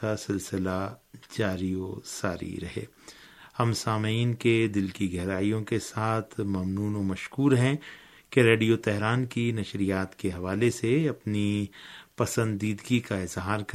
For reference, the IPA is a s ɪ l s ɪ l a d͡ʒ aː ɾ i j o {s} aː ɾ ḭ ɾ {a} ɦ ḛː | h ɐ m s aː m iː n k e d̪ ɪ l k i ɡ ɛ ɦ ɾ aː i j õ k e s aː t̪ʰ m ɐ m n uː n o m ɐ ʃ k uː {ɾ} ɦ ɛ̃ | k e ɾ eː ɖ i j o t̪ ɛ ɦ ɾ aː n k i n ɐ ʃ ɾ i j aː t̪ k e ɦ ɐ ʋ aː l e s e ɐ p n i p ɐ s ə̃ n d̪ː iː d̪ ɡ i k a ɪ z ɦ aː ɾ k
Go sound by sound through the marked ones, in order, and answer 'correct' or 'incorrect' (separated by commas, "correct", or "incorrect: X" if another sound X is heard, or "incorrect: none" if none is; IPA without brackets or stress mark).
correct, incorrect: ɐ, correct